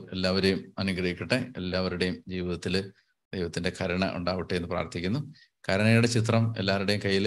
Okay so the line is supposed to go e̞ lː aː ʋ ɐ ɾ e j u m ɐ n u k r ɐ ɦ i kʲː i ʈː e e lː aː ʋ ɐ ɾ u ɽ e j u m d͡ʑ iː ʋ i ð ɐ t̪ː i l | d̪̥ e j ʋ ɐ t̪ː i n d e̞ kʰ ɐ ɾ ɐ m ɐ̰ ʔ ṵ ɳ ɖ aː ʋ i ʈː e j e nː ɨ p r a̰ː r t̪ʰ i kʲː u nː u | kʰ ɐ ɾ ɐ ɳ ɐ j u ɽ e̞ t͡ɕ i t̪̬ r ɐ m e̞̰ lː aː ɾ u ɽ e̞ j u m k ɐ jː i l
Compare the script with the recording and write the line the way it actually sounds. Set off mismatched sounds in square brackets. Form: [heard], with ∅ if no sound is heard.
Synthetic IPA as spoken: e̞ lː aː ʋ ɐ ɾ e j u m ɐ n u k r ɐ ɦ i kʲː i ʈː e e lː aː ʋ ɐ ɾ u ɽ e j u m d͡ʑ iː ʋ i ð ɐ t̪ː i l | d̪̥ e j ʋ ɐ t̪ː i n d e̞ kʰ ɐ ɾ ɐ [ɳ] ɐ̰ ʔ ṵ ɳ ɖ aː ʋ i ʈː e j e nː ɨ p r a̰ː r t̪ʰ i kʲː u nː u | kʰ ɐ ɾ ɐ ɳ ɐ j u ɽ e̞ t͡ɕ i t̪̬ r ɐ m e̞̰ lː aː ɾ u ɽ e̞ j u m k ɐ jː i l